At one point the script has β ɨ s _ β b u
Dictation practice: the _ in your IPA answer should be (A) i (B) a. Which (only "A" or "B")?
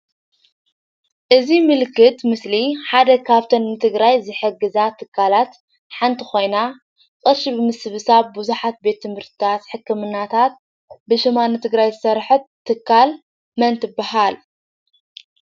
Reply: B